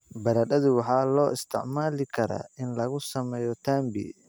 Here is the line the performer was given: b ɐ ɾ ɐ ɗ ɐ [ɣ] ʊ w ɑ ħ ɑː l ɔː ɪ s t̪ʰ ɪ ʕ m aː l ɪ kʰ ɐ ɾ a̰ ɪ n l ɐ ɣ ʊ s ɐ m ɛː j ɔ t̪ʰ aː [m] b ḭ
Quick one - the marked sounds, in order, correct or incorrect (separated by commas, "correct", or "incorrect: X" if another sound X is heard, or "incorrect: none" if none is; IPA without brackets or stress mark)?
incorrect: ð, correct